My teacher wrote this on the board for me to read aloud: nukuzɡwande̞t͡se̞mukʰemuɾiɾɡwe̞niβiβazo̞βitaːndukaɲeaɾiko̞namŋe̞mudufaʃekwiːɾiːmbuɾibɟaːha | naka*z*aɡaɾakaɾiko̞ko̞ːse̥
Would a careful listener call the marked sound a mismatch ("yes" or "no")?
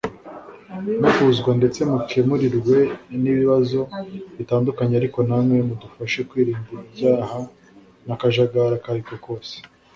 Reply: yes